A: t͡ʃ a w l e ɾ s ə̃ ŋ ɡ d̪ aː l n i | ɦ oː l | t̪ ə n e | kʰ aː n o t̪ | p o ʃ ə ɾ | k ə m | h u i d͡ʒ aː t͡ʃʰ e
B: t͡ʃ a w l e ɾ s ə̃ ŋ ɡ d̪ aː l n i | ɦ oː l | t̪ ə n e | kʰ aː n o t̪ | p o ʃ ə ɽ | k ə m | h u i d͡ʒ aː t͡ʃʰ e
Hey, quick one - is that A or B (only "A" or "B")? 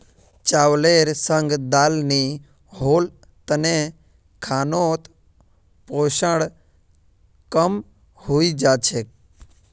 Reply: B